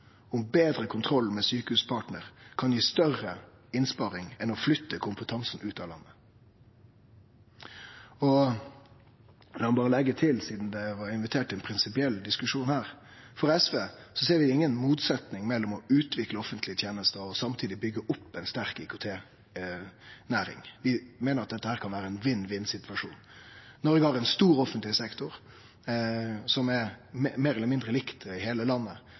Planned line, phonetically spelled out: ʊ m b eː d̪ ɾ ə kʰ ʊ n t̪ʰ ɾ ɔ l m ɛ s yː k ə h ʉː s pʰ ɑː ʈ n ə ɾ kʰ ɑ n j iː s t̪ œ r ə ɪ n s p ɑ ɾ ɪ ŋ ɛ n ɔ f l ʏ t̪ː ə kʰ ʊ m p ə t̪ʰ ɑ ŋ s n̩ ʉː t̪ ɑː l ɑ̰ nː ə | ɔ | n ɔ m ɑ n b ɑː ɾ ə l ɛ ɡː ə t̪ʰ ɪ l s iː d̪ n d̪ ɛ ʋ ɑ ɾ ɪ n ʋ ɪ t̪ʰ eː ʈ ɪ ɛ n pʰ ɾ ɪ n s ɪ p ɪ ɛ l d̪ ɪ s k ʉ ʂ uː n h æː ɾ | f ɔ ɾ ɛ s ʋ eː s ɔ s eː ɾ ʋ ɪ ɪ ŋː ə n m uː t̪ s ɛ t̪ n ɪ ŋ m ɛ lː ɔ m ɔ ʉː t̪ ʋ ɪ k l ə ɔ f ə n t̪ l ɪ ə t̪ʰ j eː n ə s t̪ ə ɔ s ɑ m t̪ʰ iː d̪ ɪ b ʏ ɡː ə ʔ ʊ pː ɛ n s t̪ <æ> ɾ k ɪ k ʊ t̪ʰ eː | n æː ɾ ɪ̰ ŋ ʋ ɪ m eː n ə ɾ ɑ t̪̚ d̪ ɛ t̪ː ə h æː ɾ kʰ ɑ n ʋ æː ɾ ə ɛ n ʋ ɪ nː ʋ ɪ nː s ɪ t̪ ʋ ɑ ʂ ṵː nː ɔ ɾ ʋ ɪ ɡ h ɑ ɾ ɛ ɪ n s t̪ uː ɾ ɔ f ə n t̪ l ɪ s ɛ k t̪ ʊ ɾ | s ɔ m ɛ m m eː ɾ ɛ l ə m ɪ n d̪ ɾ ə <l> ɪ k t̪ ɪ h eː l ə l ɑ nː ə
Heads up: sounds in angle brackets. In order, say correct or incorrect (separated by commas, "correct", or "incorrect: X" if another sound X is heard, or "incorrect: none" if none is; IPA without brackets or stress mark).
correct, correct